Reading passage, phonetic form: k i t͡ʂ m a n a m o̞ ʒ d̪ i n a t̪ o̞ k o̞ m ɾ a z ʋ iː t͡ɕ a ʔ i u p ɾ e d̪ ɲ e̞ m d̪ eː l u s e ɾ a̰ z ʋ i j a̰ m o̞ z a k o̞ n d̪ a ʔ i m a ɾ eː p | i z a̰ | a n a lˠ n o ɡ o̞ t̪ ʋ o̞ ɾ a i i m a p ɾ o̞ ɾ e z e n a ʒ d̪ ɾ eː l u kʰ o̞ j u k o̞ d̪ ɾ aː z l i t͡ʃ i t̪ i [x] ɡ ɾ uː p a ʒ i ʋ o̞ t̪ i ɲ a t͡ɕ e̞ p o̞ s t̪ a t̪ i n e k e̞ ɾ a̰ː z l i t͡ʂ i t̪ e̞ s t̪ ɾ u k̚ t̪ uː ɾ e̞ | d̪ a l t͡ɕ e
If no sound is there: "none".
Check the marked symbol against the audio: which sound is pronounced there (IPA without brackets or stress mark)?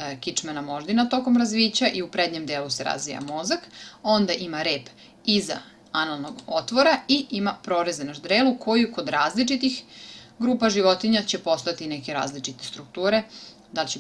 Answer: x